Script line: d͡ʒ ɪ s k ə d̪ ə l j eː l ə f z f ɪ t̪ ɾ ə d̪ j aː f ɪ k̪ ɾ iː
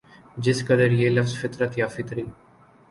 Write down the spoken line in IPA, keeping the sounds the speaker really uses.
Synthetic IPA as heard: d͡ʒ ɪ s k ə d̪ ə ɾ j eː l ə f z f ɪ t̪ ɾ ə t̪ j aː f ɪ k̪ ɾ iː